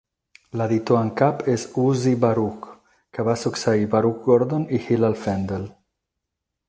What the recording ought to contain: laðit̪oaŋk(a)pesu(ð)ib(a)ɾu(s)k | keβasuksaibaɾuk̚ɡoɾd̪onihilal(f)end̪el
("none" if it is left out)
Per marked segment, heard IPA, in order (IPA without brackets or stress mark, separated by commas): a, z, a, none, f